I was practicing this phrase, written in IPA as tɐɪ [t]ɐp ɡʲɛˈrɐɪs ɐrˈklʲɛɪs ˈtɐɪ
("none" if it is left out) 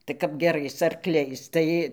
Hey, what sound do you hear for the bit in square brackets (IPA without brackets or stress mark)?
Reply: k